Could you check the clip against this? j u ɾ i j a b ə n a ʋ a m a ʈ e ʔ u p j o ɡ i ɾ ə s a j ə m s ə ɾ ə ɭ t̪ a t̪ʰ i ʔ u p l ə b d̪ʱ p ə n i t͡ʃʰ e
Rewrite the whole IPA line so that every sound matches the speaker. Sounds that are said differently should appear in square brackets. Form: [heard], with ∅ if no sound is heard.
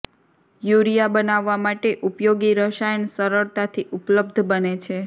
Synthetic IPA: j u ɾ i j a b ə n a [ʋː] a m a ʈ e ʔ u p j o ɡ i ɾ ə [ʃ] a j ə [n] s ə ɾ ə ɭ t̪ a t̪ʰ i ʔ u p l ə b d̪ʱ [b] ə n [e] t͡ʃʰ e